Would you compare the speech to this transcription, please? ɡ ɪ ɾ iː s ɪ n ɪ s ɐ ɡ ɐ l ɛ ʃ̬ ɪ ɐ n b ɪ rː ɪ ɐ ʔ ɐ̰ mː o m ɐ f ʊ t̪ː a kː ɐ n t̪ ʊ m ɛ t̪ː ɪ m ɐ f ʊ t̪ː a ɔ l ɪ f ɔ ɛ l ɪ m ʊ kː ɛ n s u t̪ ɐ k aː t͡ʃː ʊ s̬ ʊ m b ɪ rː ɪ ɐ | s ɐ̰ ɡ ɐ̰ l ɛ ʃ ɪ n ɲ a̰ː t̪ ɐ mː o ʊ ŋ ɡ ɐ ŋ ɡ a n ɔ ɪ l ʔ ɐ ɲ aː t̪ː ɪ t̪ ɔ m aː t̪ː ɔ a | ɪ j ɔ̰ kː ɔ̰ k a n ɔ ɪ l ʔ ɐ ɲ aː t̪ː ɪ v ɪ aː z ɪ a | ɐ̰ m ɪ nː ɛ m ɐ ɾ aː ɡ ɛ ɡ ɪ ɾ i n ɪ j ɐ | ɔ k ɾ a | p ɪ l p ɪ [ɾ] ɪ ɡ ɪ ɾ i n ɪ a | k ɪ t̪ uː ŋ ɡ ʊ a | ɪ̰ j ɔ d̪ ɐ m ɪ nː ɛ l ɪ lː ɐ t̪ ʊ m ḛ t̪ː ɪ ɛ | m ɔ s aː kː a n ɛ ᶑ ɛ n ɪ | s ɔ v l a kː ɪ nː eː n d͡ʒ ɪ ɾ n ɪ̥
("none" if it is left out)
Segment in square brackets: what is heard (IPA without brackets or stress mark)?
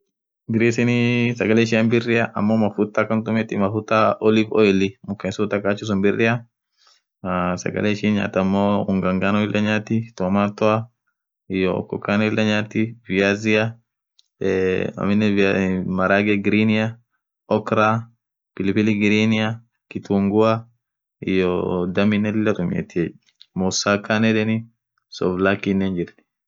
l